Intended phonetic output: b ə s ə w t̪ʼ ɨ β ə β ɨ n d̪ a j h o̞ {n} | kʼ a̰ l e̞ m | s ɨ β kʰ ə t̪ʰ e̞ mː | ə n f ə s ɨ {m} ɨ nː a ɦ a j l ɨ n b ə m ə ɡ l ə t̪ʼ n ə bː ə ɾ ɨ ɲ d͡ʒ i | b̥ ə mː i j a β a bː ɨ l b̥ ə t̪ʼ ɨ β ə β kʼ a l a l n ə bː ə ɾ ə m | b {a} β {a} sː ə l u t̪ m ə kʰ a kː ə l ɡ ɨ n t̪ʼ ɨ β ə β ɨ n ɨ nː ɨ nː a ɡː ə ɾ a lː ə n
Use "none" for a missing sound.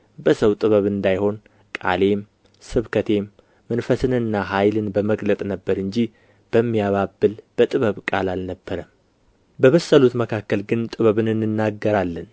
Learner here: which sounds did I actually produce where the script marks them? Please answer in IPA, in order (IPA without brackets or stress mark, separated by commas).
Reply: n, n, ə, ə